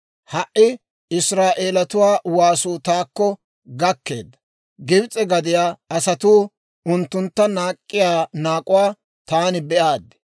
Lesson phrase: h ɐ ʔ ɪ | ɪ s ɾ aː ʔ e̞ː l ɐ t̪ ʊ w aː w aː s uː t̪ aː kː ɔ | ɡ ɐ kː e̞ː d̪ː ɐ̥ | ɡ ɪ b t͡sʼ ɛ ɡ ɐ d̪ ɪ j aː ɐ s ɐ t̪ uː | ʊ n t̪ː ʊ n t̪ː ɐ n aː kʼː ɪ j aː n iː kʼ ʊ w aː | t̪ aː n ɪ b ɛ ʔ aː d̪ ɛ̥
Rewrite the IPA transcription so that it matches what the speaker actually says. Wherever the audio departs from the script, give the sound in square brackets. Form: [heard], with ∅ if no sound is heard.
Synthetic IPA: h ɐ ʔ ɪ | ɪ s ɾ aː ʔ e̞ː l ɐ t̪ ʊ w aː w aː s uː t̪ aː kː ɔ | ɡ ɐ kː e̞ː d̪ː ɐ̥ | ɡ ɪ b t͡sʼ ɛ ɡ ɐ d̪ ɪ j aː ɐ s ɐ t̪ uː | ʊ n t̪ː ʊ n t̪ː ɐ n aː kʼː ɪ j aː n [aː] kʼ ʊ w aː | t̪ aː n ɪ b ɛ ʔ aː d̪ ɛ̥